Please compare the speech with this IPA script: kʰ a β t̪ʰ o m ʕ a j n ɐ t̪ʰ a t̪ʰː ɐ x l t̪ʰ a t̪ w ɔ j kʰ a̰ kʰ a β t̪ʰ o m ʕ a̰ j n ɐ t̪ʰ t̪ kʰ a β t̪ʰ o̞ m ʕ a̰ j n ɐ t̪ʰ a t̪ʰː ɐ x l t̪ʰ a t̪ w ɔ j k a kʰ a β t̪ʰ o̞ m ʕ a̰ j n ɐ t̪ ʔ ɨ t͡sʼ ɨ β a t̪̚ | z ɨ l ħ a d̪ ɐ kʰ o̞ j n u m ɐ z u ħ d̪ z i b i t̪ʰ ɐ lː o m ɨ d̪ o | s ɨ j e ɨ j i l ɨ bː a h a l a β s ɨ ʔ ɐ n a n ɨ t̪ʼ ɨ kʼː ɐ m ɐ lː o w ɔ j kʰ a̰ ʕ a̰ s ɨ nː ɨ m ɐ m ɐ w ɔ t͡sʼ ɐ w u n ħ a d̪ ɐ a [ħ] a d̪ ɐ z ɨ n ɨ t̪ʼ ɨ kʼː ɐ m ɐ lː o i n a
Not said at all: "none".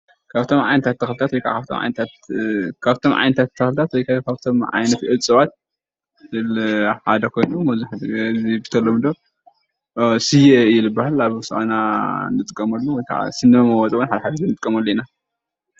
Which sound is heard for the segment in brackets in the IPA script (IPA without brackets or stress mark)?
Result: ħ